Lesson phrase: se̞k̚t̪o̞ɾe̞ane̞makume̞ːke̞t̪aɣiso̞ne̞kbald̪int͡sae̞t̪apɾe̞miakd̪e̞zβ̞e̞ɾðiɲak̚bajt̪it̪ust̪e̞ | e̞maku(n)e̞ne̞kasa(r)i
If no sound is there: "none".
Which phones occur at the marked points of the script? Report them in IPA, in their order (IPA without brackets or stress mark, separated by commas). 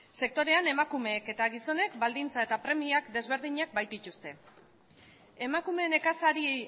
m, ɾ